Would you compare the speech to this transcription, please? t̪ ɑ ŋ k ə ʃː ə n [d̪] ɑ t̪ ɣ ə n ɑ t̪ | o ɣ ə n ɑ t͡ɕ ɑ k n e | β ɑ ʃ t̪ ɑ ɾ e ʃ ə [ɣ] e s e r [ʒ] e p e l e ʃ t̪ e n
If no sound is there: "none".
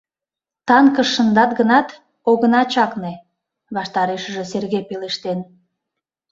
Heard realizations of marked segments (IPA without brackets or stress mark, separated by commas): d̪, ʒ, ɣ